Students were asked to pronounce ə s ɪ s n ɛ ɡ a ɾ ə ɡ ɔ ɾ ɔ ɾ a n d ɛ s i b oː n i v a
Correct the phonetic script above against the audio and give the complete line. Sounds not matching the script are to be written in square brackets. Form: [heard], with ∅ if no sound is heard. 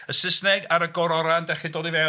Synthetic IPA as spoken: ə s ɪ s n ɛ ɡ a ɾ ə ɡ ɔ ɾ ɔ ɾ a n d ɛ [χ] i [d] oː [d] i v [ɛ]